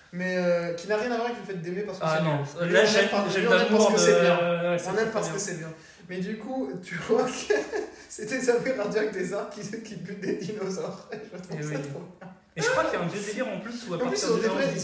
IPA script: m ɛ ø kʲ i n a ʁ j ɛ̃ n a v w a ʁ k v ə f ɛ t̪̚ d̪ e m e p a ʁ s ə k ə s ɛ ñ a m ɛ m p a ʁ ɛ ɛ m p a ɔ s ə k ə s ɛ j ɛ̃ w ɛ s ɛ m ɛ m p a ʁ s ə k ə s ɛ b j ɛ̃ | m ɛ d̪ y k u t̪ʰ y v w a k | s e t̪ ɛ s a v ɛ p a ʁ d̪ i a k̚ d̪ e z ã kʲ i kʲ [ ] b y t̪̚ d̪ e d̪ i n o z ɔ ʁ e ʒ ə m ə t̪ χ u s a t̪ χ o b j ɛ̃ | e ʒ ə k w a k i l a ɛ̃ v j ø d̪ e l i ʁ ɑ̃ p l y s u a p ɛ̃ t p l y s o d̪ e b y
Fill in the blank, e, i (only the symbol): i